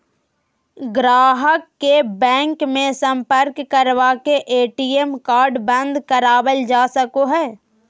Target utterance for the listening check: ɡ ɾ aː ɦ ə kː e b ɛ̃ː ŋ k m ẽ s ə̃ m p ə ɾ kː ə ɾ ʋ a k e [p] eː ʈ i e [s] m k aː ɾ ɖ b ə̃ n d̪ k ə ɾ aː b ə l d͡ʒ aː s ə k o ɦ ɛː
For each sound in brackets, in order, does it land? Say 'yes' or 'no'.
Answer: no, no

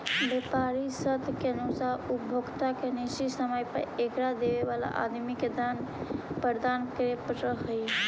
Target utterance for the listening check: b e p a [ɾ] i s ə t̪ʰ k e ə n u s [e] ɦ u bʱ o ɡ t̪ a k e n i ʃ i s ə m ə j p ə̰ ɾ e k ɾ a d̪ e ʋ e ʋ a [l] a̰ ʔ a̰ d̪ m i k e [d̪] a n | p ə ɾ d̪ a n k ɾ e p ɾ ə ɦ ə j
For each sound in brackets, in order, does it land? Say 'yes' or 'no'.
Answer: yes, no, yes, yes

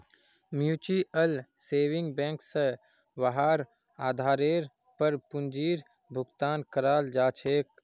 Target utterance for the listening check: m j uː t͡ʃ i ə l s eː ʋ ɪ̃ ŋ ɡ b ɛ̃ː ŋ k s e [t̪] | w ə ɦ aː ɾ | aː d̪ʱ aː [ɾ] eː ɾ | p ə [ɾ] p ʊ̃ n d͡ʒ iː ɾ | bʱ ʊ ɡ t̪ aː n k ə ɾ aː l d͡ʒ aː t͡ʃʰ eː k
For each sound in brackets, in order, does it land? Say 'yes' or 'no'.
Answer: no, yes, yes

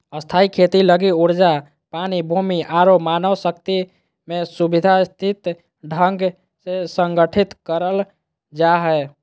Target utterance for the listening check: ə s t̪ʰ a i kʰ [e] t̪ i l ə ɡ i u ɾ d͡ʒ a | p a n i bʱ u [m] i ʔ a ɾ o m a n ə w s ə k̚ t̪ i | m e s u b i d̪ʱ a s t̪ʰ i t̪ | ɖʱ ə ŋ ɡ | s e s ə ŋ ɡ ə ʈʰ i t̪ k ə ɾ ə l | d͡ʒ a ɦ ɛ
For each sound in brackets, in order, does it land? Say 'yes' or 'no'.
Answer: yes, yes

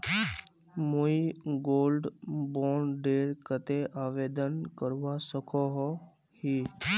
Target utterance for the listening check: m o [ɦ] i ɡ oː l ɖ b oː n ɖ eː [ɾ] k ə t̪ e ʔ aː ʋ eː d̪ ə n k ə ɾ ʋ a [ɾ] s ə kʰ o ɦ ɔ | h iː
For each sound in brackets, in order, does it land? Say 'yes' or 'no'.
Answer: no, yes, no

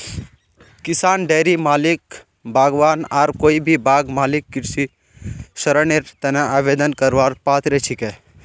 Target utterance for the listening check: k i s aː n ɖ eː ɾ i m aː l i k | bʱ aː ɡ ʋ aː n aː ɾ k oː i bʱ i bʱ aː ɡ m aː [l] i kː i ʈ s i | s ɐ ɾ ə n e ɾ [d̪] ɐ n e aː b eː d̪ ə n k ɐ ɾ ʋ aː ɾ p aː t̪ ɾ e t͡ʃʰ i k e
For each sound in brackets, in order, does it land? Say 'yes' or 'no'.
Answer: yes, no

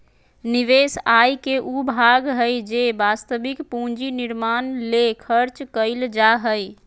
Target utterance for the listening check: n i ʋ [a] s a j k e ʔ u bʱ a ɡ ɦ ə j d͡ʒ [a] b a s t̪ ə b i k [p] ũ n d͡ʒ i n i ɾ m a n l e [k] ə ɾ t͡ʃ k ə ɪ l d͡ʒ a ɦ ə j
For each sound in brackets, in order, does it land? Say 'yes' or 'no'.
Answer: no, no, yes, no

